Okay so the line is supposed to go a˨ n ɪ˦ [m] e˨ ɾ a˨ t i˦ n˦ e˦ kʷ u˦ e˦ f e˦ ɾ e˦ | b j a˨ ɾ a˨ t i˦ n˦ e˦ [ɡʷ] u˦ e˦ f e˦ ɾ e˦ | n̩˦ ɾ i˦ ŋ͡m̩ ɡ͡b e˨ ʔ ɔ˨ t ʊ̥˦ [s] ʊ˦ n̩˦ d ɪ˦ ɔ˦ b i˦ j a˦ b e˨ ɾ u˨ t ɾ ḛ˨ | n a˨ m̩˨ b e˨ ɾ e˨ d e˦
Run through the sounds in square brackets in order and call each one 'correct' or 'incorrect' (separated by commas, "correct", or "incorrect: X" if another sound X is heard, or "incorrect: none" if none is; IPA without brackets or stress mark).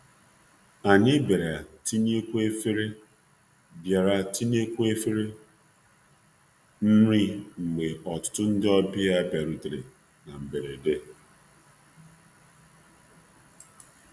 incorrect: b, incorrect: kʷ, incorrect: t